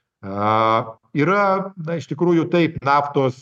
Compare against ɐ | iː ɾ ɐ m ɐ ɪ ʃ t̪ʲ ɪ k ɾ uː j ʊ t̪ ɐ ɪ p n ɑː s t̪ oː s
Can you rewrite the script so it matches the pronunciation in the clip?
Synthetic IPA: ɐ | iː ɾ ɐ n ɐ ɪ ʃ t̪ʲ ɪ k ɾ uː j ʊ t̪ ɐ ɪ p n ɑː f t̪ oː s